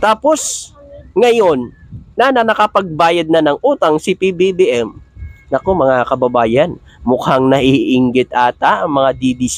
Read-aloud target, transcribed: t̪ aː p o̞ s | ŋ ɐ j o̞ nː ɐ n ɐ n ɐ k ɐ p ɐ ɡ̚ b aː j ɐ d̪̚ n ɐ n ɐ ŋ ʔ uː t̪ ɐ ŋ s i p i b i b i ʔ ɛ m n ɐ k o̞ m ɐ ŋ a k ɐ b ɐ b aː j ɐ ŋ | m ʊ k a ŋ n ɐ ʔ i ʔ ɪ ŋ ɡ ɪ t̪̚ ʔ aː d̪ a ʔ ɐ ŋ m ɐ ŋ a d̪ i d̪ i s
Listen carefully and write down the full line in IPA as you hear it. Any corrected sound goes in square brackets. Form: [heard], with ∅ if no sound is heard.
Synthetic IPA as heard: t̪ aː p o̞ s | ŋ ɐ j o̞ nː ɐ n ɐ n ɐ k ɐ p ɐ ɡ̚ b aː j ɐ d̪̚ n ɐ n ɐ ŋ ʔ uː t̪ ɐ ŋ s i p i b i b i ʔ ɛ m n ɐ k o̞ m ɐ ŋ a k ɐ b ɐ b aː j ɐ [n] | m ʊ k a ŋ n ɐ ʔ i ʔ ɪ ŋ ɡ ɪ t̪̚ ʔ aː [t̪] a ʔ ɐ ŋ m ɐ ŋ a d̪ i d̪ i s

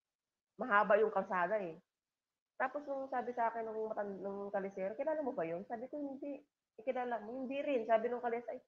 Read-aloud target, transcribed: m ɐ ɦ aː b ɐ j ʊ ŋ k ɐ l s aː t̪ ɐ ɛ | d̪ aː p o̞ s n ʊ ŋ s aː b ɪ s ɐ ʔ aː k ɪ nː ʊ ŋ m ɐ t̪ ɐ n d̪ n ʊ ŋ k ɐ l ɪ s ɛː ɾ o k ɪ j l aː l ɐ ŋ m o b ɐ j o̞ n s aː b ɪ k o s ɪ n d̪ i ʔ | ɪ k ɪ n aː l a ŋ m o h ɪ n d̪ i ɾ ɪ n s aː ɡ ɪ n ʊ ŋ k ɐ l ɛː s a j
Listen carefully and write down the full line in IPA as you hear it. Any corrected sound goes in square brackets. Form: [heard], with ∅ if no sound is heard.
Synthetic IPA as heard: m ɐ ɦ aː b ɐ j ʊ ŋ k ɐ l s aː [d̪] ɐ ɛ | [t̪] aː p o̞ s n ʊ ŋ s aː b ɪ s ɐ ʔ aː k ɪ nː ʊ ŋ m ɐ t̪ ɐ n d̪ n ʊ ŋ k ɐ l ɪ s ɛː ɾ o k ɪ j l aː l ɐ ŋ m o b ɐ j o̞ n s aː b ɪ k o [h] ɪ n d̪ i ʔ | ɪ k ɪ n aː l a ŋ m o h ɪ n d̪ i ɾ ɪ n s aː [b] ɪ n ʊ ŋ k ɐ l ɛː s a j

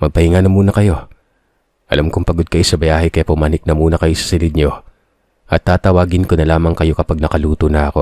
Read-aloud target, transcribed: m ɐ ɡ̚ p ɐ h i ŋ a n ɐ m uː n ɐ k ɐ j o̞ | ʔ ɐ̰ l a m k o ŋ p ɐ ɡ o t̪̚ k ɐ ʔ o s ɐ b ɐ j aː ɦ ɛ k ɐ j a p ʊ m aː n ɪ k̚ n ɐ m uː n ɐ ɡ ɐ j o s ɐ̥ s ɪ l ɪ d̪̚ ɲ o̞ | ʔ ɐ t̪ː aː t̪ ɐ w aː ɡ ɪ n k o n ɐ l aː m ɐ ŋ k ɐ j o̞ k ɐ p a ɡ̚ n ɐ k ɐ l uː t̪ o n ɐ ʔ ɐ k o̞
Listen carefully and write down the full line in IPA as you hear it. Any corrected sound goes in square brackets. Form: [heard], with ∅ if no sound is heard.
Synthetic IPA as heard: m ɐ ɡ̚ p ɐ h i ŋ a n ɐ m uː n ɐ k ɐ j o̞ | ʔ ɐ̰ l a m k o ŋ p ɐ ɡ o [d̪̚] k ɐ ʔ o s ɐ b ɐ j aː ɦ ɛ k ɐ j a p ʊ m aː n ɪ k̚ n ɐ m uː n ɐ [k] ɐ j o s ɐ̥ s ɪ l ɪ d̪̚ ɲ o̞ | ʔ ɐ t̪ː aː t̪ ɐ w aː ɡ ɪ n k o n ɐ l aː m ɐ ŋ k ɐ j o̞ k ɐ p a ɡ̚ n ɐ k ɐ l uː t̪ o n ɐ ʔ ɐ k o̞

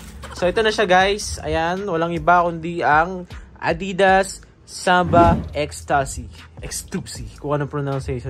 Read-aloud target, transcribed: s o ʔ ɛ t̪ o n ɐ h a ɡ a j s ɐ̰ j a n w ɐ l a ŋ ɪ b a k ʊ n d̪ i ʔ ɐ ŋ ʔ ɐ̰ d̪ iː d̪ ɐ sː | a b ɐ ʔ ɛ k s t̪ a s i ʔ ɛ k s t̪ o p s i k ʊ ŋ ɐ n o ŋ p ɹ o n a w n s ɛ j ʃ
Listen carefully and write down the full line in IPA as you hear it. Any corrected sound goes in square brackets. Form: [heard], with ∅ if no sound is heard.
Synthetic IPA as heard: s o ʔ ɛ t̪ o n ɐ [ʃ] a ɡ a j s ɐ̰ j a n w ɐ l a ŋ ɪ b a k ʊ n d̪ i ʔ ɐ ŋ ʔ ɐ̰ d̪ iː d̪ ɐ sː | a b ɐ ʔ ɛ k s t̪ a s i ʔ ɛ k s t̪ [u] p s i k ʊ ŋ ɐ n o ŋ p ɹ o n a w n s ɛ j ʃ

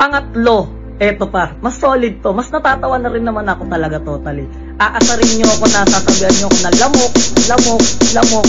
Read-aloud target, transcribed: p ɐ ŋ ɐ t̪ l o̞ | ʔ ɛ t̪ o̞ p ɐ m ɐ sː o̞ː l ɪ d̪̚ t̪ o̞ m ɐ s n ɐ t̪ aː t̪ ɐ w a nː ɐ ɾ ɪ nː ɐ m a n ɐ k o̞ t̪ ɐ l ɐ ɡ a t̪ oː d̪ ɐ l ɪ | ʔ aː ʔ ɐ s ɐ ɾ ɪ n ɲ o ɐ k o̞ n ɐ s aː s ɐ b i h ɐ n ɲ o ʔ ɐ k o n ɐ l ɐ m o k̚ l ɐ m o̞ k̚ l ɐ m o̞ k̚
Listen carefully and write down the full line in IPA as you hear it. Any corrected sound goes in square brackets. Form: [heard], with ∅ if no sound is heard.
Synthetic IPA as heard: p ɐ ŋ ɐ t̪ l o̞ | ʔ ɛ t̪ o̞ p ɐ m ɐ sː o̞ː l ɪ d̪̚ t̪ o̞ m ɐ s n ɐ t̪ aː t̪ ɐ w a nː ɐ ɾ ɪ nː ɐ m a n ɐ k o̞ t̪ ɐ l ɐ ɡ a t̪ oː [t̪] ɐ l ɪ | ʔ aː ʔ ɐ s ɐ ɾ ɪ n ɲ o ɐ k o̞ n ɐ s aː s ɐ b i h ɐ n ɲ o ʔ ɐ k o n ɐ l ɐ m o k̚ l ɐ m o̞ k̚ l ɐ m o̞ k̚

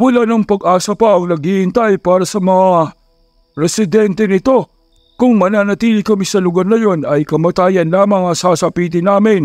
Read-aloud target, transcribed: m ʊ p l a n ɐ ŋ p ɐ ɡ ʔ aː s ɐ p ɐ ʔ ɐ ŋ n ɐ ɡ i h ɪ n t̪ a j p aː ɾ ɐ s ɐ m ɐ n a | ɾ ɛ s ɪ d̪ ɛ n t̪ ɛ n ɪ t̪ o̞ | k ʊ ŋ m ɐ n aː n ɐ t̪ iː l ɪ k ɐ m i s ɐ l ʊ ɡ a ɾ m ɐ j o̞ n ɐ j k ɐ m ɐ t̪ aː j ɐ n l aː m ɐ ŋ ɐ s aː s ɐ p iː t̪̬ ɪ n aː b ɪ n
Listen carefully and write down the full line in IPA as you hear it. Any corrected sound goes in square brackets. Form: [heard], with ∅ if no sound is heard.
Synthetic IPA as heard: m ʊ [∅] l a n ɐ ŋ p ɐ ɡ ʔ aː s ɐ p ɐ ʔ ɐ ŋ n ɐ ɡ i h ɪ n t̪ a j p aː ɾ ɐ s ɐ m ɐ [ŋ] a | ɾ ɛ s ɪ d̪ ɛ n t̪ ɛ n ɪ t̪ o̞ | k ʊ ŋ m ɐ n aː n ɐ t̪ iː l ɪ k ɐ m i s ɐ l ʊ ɡ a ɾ [n] ɐ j o̞ n ɐ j k ɐ m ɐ t̪ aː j ɐ n l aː m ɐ ŋ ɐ s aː s ɐ p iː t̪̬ ɪ n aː [m] ɪ n

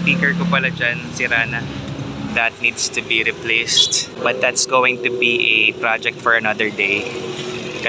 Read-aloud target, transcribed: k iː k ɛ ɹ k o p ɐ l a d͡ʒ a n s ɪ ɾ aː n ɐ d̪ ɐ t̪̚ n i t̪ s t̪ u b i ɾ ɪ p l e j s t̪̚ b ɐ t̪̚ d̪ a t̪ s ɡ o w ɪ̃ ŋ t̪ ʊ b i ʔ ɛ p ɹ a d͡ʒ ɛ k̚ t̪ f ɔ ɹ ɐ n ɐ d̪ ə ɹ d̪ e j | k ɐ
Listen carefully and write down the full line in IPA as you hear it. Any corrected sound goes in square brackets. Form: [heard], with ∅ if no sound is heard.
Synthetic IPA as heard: [p] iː k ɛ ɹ k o p ɐ l a d͡ʒ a n s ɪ ɾ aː n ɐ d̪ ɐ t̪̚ n i [d̪] s t̪ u b i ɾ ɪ p l e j s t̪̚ b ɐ t̪̚ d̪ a t̪ s ɡ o w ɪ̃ ŋ t̪ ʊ b i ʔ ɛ p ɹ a d͡ʒ ɛ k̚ t̪ f ɔ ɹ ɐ n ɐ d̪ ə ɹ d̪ e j | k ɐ

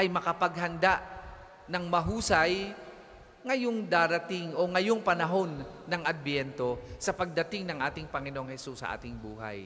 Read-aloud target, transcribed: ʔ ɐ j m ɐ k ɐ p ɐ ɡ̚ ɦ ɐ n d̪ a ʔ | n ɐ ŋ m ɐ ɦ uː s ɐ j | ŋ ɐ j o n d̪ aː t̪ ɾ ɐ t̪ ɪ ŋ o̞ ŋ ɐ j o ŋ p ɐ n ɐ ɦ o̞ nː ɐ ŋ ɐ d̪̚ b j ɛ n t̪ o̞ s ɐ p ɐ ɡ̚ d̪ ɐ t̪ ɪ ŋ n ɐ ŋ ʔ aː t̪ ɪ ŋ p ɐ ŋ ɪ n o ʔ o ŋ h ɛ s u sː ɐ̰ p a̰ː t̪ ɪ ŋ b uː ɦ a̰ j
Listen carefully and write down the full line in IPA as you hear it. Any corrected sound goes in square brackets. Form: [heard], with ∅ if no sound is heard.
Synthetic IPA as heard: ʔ ɐ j m ɐ k ɐ p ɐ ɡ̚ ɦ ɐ n d̪ a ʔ | n ɐ ŋ m ɐ ɦ uː s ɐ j | ŋ ɐ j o [ŋ] d̪ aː [∅] ɾ ɐ t̪ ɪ ŋ o̞ ŋ ɐ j o ŋ p ɐ n ɐ ɦ o̞ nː ɐ ŋ ɐ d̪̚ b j ɛ n t̪ o̞ s ɐ p ɐ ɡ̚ d̪ ɐ t̪ ɪ ŋ n ɐ ŋ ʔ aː t̪ ɪ ŋ p ɐ ŋ ɪ n o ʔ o ŋ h ɛ s u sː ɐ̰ [ʔ] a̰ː t̪ ɪ ŋ b uː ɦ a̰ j

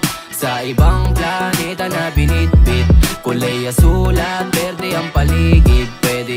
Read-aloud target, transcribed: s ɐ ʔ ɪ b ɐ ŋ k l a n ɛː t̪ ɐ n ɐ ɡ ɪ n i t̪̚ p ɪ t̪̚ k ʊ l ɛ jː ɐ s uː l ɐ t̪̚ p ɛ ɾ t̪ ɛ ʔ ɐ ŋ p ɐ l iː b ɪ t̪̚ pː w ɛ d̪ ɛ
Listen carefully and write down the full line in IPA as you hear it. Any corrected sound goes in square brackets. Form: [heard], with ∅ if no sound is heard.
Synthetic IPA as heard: s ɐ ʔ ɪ b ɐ ŋ [p] l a n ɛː t̪ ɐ n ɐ [b] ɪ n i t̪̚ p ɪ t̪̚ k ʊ l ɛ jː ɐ s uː l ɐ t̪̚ p ɛ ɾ [d̪] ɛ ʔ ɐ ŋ p ɐ l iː [ɡ] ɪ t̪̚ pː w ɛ d̪ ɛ

